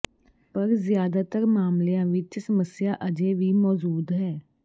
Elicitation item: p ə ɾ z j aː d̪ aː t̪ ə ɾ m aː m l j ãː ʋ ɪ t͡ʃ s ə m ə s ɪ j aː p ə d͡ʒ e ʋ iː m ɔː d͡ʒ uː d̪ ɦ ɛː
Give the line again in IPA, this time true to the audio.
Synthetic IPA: p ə ɾ z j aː d̪ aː t̪ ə ɾ m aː m l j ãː ʋ ɪ t͡ʃ s ə m ə s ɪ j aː ʔ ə d͡ʒ e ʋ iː m ɔː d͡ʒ uː d̪ ɦ ɛː